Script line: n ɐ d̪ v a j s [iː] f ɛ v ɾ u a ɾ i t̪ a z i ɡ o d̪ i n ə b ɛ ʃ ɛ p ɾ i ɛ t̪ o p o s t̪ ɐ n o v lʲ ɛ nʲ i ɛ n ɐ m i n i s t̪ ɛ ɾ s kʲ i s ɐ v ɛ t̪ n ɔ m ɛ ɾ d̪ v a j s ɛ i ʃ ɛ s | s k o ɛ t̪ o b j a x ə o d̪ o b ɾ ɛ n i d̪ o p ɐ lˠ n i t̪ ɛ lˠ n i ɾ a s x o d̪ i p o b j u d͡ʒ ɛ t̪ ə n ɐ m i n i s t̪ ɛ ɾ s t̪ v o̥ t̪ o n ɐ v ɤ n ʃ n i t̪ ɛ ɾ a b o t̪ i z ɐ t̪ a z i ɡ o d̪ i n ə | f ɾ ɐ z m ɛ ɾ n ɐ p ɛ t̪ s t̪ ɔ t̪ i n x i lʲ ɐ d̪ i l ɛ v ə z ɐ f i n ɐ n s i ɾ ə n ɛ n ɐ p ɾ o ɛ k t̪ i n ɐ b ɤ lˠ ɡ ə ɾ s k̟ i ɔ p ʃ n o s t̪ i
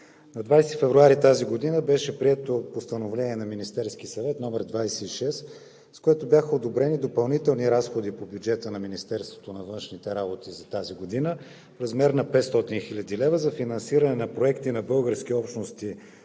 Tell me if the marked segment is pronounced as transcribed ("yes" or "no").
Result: no